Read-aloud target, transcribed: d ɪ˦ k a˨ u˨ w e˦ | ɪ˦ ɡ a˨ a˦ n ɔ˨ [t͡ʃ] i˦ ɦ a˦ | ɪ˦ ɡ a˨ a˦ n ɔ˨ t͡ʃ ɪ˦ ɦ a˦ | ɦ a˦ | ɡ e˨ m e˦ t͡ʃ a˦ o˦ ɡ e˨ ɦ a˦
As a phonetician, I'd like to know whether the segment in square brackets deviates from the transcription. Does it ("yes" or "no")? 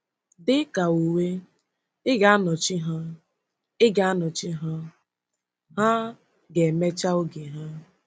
no